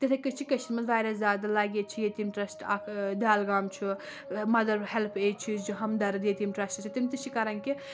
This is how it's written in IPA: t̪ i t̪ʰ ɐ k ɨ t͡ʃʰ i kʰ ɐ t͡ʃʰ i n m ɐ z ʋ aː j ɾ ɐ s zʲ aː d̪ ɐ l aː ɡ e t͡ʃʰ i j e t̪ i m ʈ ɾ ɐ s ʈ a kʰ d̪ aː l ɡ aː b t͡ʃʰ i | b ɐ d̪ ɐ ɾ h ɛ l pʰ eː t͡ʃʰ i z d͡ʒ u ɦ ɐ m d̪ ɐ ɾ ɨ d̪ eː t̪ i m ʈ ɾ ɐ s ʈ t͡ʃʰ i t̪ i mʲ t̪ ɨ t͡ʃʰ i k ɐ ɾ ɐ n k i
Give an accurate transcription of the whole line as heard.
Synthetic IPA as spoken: t̪ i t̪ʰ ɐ k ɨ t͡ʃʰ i k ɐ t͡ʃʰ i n m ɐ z ʋ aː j ɾ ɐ s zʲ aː d̪ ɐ l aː ɡ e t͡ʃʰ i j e t̪ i m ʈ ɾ ɐ s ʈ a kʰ d̪ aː l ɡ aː m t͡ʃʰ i | m ɐ d̪ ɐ ɾ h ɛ l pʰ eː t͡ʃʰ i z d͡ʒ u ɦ ɐ m d̪ ɐ ɾ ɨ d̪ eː t̪ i m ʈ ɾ ɐ s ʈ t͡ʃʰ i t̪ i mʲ t̪ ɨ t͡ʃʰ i k ɐ ɾ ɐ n k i